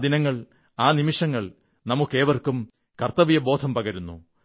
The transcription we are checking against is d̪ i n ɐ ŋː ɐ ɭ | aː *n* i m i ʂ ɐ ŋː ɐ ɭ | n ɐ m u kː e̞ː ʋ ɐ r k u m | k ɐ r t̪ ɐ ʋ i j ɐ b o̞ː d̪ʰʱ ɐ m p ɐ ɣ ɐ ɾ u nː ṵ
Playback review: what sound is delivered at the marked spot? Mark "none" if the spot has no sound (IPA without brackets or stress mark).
n